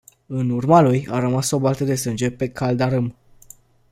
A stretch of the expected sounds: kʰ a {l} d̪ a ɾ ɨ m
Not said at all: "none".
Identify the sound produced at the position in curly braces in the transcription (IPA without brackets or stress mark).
l